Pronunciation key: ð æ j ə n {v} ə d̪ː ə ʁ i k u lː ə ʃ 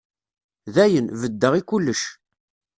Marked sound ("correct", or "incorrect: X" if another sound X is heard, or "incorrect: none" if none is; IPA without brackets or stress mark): correct